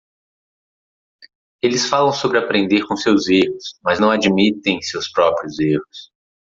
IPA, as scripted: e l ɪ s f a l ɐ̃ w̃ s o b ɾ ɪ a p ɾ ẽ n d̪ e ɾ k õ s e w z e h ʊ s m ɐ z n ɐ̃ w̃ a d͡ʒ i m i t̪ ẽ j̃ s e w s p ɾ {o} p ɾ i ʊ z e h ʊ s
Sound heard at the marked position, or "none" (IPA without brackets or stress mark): ɔ